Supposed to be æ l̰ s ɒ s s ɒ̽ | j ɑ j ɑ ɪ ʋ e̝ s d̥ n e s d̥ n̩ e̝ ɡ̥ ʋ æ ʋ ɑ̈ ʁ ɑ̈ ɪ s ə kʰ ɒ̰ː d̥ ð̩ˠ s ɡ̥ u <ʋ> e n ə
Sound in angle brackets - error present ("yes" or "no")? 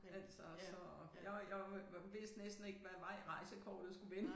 no